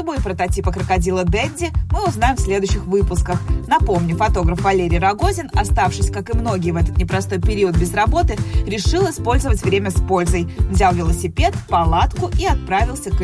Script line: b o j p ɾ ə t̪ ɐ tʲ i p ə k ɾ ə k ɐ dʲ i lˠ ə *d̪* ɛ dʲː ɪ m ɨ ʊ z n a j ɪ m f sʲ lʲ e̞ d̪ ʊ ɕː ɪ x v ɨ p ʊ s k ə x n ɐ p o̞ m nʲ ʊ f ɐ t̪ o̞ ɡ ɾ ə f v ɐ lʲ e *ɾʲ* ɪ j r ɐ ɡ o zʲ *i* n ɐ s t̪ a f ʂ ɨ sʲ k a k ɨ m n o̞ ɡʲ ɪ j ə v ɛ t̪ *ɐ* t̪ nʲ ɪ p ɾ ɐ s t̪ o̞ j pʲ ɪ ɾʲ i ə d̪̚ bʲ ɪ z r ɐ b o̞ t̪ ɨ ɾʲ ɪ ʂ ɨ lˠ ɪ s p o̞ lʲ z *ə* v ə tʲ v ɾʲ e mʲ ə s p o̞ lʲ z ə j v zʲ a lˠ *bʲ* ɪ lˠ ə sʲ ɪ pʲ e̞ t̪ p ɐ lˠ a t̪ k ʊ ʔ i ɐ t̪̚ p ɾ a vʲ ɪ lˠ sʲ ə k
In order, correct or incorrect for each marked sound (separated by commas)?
correct, correct, incorrect, incorrect, correct, incorrect